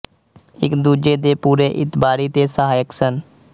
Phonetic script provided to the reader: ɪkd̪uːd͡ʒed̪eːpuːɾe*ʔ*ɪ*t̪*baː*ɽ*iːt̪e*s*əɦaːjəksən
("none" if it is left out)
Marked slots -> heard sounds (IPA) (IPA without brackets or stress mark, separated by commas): ʔ, t̪, ɾ, s